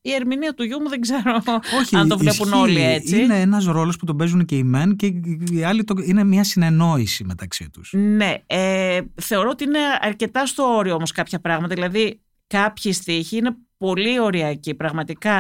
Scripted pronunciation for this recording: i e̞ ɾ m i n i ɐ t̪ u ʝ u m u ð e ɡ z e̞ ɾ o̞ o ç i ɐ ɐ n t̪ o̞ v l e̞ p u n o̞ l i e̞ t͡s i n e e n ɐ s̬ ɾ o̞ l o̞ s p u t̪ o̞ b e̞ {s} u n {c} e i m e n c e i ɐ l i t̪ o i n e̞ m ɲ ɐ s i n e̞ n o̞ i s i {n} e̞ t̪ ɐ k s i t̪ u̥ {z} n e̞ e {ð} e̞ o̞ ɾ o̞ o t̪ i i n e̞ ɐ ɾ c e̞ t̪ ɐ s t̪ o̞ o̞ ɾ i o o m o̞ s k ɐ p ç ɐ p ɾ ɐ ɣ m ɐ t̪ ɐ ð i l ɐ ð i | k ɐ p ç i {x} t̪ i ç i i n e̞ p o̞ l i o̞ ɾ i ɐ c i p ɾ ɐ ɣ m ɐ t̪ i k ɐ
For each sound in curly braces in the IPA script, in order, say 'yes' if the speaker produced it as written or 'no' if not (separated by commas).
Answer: no, yes, no, no, no, no